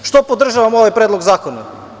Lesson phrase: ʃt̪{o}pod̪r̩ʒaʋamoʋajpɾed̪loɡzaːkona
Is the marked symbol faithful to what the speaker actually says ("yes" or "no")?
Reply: yes